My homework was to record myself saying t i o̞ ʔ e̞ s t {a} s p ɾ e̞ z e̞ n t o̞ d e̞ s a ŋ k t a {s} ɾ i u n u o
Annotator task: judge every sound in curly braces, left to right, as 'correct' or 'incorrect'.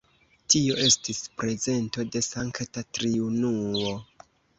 incorrect, incorrect

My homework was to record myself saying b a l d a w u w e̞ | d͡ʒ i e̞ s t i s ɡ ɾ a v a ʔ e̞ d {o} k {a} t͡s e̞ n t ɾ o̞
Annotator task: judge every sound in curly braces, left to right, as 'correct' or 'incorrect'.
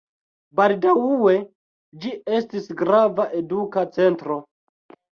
incorrect, correct

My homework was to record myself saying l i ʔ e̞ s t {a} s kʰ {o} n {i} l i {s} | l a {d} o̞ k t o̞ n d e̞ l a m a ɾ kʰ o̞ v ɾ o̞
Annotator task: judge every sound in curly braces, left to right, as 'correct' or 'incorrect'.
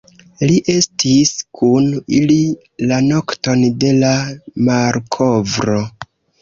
incorrect, incorrect, correct, incorrect, incorrect

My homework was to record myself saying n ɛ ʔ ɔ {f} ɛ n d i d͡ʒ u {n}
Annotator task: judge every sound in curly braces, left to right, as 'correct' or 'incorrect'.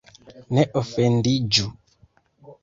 correct, incorrect

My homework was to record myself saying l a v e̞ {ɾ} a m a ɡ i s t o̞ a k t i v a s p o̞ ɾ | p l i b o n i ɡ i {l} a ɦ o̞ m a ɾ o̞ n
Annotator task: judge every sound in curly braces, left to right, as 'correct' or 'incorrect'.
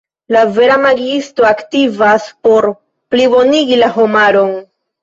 correct, correct

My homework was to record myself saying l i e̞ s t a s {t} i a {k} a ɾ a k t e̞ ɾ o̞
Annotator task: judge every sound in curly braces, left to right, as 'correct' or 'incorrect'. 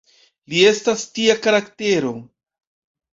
correct, correct

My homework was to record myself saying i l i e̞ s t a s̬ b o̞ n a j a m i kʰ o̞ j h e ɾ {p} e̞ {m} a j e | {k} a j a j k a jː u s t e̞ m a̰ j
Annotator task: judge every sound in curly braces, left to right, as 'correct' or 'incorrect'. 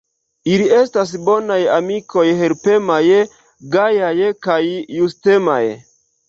correct, correct, incorrect

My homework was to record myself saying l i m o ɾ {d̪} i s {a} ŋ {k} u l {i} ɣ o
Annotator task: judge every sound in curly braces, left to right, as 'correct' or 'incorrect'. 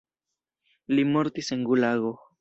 incorrect, incorrect, incorrect, incorrect

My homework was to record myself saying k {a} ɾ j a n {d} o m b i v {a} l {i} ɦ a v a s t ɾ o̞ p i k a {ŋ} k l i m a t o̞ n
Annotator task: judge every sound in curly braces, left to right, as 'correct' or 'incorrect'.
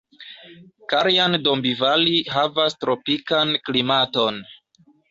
correct, correct, correct, correct, incorrect

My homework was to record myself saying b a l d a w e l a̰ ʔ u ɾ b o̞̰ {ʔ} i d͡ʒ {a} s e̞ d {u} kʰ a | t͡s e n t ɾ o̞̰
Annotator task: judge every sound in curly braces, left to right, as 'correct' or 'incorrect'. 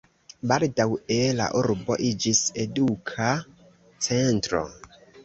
correct, incorrect, correct

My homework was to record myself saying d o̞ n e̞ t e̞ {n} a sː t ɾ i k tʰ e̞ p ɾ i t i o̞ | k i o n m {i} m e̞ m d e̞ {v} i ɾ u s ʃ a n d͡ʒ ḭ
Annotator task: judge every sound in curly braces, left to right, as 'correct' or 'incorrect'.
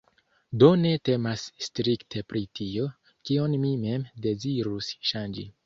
incorrect, correct, incorrect

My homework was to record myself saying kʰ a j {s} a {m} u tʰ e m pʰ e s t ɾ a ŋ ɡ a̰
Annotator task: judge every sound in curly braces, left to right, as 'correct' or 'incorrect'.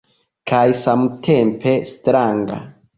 correct, correct

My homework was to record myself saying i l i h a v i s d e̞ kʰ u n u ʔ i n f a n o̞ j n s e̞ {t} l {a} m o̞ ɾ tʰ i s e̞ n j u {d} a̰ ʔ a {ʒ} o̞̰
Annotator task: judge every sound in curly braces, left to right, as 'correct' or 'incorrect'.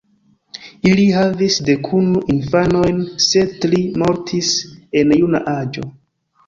correct, incorrect, incorrect, incorrect

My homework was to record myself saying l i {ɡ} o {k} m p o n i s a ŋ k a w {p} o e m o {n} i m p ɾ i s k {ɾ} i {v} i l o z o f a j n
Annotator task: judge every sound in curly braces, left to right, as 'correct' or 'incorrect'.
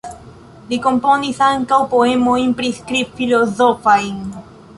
incorrect, incorrect, correct, incorrect, correct, incorrect

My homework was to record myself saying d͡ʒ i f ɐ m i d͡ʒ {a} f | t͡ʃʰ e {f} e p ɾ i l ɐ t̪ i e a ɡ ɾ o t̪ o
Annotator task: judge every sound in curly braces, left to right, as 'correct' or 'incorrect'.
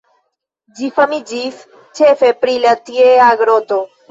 incorrect, correct

